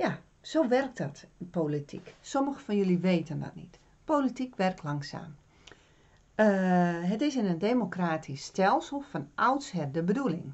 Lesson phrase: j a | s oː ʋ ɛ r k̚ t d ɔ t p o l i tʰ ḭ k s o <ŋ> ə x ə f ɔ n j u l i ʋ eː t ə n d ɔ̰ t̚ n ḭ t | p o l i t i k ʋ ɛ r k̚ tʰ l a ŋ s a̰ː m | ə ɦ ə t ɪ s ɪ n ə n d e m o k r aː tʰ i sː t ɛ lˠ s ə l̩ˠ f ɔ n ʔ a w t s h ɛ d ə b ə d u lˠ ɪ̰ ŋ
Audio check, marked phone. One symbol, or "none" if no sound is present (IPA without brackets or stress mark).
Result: m